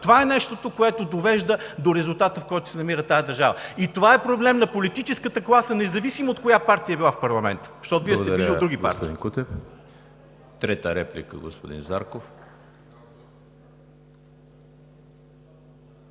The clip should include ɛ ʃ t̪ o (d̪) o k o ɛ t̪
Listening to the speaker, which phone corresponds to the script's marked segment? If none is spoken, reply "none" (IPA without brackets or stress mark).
t̪